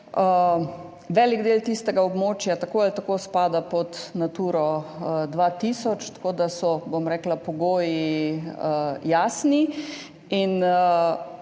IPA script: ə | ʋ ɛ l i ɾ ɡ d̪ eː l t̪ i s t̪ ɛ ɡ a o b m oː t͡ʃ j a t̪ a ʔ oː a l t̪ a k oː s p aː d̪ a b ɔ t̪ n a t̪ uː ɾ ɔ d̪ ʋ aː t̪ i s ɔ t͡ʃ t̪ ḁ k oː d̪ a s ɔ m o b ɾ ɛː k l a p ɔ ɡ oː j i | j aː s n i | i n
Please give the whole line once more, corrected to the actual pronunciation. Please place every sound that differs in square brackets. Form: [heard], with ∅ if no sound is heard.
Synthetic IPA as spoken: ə | ʋ ɛ l i [∅] ɡ d̪ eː l t̪ i s t̪ ɛ ɡ a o b m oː t͡ʃ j a t̪ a [k] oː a l t̪ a k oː s p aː d̪ a [p] ɔ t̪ n a t̪ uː ɾ ɔ d̪ ʋ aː t̪ i s ɔ t͡ʃ t̪ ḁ k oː d̪ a s ɔ [b] o [m] ɾ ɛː k l a p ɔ ɡ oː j i | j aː s n i | i n